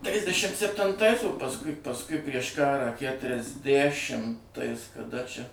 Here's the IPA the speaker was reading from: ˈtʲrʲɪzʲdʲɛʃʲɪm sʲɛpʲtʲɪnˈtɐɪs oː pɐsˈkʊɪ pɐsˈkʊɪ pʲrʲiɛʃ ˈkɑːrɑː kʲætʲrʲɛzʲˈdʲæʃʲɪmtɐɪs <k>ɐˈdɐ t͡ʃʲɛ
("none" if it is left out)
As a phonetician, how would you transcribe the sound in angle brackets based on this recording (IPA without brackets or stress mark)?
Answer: k